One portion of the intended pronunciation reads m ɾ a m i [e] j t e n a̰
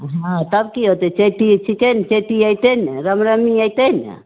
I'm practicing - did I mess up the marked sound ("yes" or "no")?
yes